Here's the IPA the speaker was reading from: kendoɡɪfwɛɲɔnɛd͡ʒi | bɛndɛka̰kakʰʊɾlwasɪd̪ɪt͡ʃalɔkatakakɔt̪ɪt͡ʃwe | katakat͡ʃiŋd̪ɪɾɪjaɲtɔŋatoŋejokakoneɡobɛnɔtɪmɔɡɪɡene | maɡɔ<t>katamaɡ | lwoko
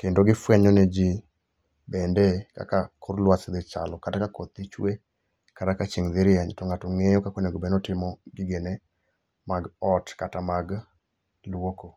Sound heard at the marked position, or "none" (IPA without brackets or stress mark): t